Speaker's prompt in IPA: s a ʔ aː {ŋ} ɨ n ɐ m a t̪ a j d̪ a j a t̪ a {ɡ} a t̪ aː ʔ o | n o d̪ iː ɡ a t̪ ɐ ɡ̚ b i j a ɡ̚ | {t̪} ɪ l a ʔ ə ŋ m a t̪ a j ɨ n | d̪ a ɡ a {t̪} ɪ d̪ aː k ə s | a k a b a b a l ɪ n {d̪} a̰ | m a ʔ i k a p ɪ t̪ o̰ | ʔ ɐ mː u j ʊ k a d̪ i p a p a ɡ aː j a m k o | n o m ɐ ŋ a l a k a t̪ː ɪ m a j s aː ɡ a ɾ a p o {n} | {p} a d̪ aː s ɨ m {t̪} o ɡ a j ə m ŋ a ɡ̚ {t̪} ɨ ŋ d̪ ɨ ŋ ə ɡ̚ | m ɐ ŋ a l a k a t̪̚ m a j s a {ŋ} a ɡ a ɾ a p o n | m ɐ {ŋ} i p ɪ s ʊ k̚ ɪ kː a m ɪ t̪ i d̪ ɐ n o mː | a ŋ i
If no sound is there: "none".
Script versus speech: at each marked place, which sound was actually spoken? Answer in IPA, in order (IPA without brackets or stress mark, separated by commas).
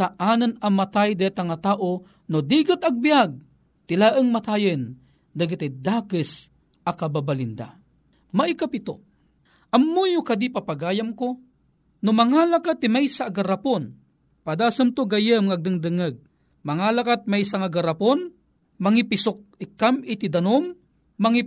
n, ŋ, t̪, t̪, d̪, n, p, t̪, d̪, ŋ, ŋ